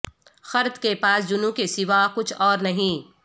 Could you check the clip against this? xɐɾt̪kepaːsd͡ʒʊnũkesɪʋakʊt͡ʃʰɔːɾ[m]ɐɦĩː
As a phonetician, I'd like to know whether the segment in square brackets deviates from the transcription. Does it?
yes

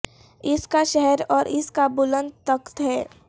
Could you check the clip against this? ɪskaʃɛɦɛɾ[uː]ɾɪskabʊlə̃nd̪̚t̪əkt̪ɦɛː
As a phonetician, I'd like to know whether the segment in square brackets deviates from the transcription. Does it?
yes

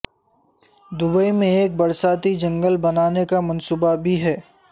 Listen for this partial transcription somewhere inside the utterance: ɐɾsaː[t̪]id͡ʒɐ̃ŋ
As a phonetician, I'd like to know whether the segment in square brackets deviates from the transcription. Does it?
no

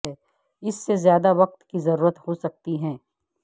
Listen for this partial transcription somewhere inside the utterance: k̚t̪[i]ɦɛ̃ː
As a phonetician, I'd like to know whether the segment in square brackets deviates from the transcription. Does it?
no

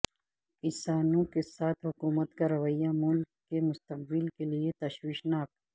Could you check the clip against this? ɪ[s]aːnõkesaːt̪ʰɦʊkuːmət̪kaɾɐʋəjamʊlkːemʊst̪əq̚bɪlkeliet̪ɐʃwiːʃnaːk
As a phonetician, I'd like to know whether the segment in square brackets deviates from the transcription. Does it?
no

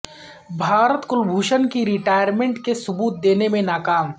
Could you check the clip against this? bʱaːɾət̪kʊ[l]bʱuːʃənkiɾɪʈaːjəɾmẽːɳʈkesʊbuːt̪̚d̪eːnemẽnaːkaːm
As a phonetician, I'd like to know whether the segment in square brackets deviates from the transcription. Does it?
no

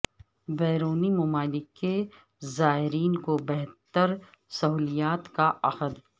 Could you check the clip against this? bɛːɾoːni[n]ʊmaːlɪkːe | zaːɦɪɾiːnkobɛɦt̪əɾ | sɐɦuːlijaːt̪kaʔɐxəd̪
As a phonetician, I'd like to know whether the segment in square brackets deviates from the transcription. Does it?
yes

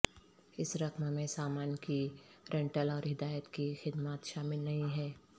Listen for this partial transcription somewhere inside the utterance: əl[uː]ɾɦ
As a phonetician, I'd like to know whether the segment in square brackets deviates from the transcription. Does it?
yes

